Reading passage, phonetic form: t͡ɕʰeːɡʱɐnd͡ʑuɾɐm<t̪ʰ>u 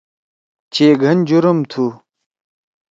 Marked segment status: correct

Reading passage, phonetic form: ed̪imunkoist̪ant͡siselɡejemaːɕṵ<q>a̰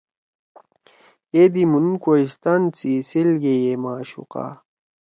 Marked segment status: correct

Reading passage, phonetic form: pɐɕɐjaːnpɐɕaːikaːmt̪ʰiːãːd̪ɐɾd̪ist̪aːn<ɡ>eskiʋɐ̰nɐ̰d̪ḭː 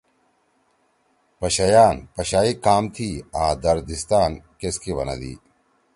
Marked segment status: incorrect: k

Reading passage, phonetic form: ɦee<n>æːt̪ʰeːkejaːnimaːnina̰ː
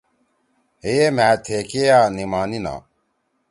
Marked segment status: incorrect: m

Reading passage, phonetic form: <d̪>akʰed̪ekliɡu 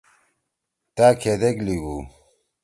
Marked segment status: incorrect: t̪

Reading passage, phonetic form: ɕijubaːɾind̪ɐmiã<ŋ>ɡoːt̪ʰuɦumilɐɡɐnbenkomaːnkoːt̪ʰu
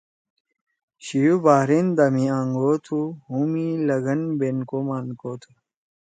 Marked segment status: correct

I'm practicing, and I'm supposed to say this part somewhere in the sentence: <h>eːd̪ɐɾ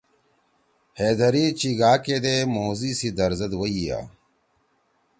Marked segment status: correct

